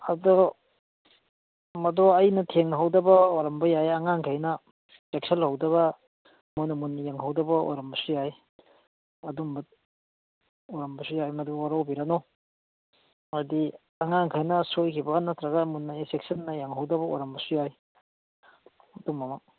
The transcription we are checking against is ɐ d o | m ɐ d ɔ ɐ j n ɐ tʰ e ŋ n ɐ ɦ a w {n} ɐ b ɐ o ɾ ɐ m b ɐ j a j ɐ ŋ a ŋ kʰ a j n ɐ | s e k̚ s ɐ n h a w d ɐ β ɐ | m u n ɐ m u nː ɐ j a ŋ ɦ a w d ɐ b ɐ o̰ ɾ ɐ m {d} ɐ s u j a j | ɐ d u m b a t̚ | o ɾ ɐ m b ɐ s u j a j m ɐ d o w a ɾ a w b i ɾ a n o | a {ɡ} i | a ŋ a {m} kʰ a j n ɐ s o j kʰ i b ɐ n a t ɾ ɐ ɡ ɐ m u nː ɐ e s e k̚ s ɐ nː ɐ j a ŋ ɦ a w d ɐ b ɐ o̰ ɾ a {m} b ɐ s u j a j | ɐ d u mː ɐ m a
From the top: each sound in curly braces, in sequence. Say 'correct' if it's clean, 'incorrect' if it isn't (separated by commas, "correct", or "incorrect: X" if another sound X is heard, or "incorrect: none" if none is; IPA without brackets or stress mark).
incorrect: d, incorrect: b, incorrect: d, incorrect: ŋ, correct